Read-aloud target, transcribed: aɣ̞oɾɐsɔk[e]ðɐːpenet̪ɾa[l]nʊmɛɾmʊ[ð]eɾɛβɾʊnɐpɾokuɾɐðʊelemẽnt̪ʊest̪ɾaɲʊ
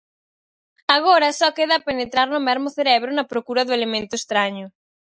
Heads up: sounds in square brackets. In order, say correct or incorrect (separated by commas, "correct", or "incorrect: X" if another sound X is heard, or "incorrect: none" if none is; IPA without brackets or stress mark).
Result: correct, incorrect: ɾ, incorrect: θ